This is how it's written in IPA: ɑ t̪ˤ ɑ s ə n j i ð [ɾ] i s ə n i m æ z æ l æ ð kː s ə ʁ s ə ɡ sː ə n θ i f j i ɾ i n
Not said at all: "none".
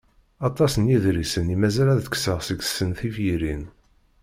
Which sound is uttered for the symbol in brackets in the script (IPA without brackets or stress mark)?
ɾ